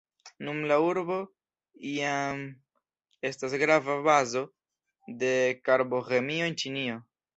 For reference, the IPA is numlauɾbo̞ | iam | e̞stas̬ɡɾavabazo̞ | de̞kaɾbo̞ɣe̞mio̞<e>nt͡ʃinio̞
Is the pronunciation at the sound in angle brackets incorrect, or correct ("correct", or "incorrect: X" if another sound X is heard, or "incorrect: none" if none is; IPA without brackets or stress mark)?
correct